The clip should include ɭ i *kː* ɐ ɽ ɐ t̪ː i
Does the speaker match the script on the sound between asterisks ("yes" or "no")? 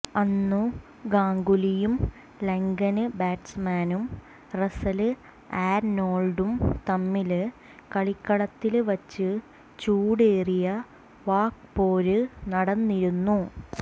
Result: yes